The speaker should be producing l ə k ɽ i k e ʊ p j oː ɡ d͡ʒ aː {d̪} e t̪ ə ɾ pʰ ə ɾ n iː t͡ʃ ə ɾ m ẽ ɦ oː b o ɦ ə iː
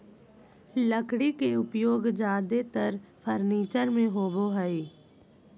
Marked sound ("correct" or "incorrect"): correct